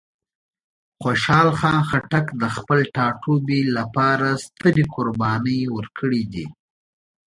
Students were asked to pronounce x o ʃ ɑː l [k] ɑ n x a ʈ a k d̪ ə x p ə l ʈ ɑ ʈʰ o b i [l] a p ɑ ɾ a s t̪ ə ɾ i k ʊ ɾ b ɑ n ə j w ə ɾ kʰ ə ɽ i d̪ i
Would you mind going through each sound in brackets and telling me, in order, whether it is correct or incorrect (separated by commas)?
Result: incorrect, correct